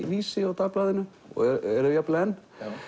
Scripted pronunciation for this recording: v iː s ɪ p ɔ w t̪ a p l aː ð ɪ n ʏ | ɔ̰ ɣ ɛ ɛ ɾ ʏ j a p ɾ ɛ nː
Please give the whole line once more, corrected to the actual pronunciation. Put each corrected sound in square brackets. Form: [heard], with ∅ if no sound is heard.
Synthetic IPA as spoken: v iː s ɪ [∅] ɔ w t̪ a p l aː ð ɪ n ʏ | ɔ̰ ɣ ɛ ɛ ɾ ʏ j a p [l] ɛ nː